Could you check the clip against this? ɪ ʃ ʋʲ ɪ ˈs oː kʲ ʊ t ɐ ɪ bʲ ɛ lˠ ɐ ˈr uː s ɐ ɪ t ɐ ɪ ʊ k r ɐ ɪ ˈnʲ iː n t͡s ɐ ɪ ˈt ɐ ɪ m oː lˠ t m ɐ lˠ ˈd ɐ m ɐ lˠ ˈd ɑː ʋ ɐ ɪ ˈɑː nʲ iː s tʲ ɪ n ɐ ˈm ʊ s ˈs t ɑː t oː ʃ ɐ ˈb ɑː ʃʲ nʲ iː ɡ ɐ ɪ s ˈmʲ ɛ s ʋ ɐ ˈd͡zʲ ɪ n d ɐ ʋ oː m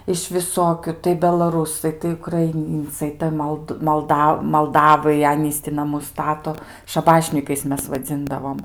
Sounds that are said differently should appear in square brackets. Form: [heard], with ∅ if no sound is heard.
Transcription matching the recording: ɪ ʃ ʋʲ ɪ ˈs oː kʲ ʊ t ɐ ɪ bʲ ɛ lˠ ɐ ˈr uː s ɐ ɪ t ɐ ɪ ʊ k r ɐ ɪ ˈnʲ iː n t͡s ɐ ɪ ˈt ɐ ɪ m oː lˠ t m ɐ lˠ ˈd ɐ m ɐ lˠ ˈd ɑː ʋ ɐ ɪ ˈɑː nʲ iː s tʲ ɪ n ɐ ˈm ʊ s ˈs t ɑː t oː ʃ ɐ ˈb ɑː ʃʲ nʲ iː [k] ɐ ɪ s ˈmʲ ɛ s ʋ ɐ ˈd͡zʲ ɪ n d ɐ ʋ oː m

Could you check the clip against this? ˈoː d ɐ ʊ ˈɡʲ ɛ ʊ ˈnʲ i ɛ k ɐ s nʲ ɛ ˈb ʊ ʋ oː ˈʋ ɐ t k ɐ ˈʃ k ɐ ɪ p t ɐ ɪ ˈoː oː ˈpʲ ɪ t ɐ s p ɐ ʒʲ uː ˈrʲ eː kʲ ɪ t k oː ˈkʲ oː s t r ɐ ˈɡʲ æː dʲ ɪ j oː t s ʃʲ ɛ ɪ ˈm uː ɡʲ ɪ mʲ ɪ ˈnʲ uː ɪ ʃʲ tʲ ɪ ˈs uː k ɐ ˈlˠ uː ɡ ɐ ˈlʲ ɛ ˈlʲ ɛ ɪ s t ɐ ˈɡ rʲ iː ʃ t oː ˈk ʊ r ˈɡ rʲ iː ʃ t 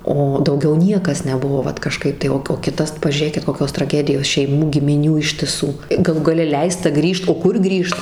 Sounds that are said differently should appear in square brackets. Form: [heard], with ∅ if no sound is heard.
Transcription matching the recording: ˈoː d ɐ ʊ ˈɡʲ ɛ ʊ ˈnʲ i ɛ k ɐ s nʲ ɛ ˈb ʊ ʋ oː ˈʋ ɐ t k ɐ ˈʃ k ɐ ɪ p t ɐ ɪ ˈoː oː [ˈkʲ] ɪ t ɐ s p ɐ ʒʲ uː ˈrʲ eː kʲ ɪ t k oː ˈkʲ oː s t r ɐ ˈɡʲ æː dʲ ɪ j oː [∅] s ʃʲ ɛ ɪ ˈm uː ɡʲ ɪ mʲ ɪ ˈnʲ uː ɪ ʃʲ tʲ ɪ ˈs uː [ɡ] ɐ ˈlˠ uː ɡ ɐ ˈlʲ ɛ ˈlʲ ɛ ɪ s t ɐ ˈɡ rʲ iː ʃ t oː ˈk ʊ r ˈɡ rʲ iː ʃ t

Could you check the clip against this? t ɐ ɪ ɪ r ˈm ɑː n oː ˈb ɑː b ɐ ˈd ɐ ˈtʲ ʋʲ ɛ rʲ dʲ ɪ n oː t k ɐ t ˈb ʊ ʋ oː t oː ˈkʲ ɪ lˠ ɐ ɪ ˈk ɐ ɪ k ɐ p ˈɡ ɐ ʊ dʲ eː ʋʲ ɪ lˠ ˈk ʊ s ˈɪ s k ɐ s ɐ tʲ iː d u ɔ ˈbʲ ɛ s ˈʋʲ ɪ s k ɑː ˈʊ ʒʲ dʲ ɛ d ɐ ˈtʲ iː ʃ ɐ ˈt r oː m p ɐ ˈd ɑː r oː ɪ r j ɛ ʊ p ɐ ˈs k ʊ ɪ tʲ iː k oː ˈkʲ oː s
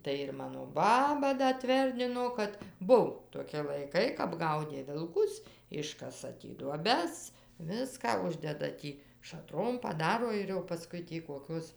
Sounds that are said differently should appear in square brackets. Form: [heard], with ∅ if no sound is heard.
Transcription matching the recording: t ɐ ɪ ɪ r ˈm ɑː n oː ˈb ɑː b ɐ ˈd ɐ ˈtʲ ʋʲ ɛ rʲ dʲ ɪ n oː [∅] k ɐ t ˈb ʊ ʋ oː t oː ˈkʲ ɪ lˠ ɐ ɪ ˈk ɐ ɪ k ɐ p ˈɡ ɐ ʊ dʲ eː ʋʲ ɪ lˠ ˈk ʊ s ˈɪ [ʃ] k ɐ s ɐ tʲ iː d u ɔ ˈbʲ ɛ s ˈʋʲ ɪ s k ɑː ˈʊ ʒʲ dʲ ɛ d ɐ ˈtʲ iː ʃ ɐ ˈt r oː m p ɐ ˈd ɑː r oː ɪ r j ɛ ʊ p ɐ ˈs k ʊ ɪ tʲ iː k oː ˈkʲ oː s

